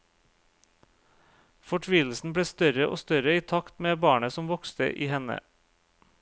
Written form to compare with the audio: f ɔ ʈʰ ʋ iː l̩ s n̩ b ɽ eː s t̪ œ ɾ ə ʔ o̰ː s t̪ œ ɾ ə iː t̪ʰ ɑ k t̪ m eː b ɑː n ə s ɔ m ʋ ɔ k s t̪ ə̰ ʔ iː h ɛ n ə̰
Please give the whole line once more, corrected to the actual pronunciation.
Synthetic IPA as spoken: f ɔ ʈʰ ʋ iː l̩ s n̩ b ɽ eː s t̪ œ ɾ ə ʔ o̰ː s t̪ œ ɾ ə iː t̪ʰ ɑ k t̪ m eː b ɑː ɳ ə s ɔ m ʋ ɔ k s t̪ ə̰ ʔ iː h ɛ n ə̰